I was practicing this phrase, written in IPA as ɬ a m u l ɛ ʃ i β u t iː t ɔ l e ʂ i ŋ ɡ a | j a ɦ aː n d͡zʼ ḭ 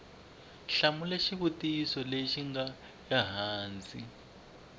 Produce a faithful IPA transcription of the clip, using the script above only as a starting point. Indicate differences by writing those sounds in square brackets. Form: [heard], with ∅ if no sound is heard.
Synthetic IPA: ɬ a m u l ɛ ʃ i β u t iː [s] ɔ l e [ʃ] i ŋ ɡ a | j a ɦ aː n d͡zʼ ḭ

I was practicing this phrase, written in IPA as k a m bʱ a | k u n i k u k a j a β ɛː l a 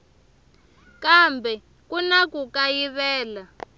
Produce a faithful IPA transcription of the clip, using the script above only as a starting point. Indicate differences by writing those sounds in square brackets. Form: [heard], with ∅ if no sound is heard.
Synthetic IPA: k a m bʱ [ɛ] | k u n [a] k u k a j [i] β ɛː l a

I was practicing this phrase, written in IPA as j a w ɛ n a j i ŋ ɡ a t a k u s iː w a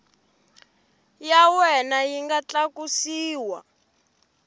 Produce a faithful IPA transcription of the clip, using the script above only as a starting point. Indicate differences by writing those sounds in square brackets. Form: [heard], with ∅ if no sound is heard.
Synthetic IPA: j a w ɛ n a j i ŋ ɡ a [t͡ɬ] a k u s iː w a

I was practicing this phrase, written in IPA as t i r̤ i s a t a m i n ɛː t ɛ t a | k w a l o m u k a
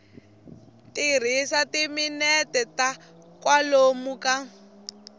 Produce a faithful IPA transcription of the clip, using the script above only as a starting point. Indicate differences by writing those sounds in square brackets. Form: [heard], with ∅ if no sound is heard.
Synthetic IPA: t i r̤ i s a t [i] m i n [ɛ] t ɛ t a | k w a l o m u k a

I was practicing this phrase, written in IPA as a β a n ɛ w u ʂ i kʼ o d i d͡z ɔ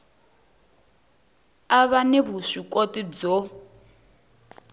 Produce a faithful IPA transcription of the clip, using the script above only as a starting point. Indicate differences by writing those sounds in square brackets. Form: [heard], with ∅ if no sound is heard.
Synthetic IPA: a β a n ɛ [β] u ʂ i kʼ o [t] i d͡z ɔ

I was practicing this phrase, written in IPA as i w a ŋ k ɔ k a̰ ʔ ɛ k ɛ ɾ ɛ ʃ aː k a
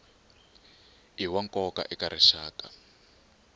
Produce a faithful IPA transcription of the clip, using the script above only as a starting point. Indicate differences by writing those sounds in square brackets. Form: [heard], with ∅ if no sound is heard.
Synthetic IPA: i w a ŋ k ɔ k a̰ ʔ ɛ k [a] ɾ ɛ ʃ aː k a

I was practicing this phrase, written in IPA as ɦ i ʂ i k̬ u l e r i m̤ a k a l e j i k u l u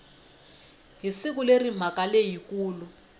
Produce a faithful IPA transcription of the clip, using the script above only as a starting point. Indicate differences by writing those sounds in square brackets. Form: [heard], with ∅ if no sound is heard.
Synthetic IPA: ɦ i [s] i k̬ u l e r i m̤ a k a l e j i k [uː] l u

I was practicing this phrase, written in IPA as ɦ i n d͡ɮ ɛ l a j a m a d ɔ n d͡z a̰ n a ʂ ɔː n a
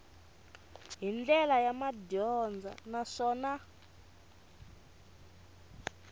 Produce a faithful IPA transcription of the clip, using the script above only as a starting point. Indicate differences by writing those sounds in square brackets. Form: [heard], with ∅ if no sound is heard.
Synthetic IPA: ɦ i n d͡ɮ ɛ l a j a m a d ɔ n d͡z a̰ n a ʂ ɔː n a

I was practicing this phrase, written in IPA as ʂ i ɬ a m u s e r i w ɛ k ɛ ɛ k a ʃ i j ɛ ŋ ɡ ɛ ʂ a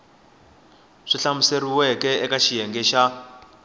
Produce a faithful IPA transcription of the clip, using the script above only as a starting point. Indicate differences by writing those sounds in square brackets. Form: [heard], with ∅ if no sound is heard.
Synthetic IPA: ʂ i ɬ a m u s e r i w ɛ k ɛ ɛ k a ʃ i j ɛ ŋ ɡ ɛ [ʃ] a

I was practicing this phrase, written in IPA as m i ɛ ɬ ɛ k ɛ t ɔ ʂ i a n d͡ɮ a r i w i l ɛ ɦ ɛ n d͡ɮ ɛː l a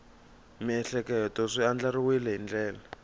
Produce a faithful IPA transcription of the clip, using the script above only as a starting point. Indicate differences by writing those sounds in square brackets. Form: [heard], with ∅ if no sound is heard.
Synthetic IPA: m i ɛ ɬ ɛ k ɛ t ɔ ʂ i a n d͡ɮ a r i w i l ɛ ɦ [i] n d͡ɮ ɛː l a

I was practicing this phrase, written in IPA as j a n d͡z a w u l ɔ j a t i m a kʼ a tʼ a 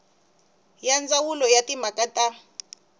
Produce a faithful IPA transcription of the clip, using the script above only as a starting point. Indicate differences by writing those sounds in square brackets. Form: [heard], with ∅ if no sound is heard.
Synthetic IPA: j a n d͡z a w u l ɔ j a t i m a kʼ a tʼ a

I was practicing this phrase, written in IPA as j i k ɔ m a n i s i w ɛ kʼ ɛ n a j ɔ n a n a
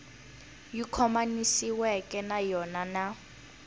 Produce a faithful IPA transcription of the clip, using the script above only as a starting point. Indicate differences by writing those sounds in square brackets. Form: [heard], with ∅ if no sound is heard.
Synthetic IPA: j i [kʰ] ɔ m a n i s i w ɛ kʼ ɛ n a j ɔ n a n a

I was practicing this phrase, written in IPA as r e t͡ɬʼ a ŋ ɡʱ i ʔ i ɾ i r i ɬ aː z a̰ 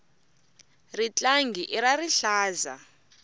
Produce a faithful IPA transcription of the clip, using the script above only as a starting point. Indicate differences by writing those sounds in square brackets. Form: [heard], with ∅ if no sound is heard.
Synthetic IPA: r [i] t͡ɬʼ a ŋ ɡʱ i ʔ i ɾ [a] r i ɬ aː z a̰

